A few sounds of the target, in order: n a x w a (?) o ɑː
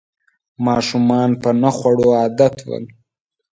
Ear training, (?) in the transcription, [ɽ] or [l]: ɽ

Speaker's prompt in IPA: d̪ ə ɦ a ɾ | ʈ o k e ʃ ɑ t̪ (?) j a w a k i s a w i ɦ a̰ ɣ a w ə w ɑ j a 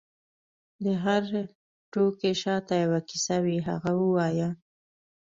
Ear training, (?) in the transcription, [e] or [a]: a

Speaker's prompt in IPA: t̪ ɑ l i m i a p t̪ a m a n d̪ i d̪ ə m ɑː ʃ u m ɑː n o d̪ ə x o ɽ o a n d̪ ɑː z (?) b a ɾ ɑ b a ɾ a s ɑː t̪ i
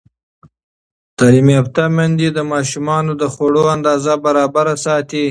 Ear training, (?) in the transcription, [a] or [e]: a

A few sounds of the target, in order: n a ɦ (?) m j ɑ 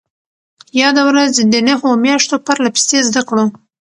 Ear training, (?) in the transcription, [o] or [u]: o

